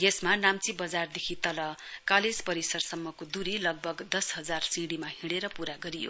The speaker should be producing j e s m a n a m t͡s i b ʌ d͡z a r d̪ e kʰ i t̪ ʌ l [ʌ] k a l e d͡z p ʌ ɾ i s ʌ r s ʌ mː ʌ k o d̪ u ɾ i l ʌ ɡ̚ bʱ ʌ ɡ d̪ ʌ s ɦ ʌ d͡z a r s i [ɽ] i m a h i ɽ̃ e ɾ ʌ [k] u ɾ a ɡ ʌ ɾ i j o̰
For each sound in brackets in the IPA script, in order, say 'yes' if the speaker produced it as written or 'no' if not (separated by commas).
yes, yes, no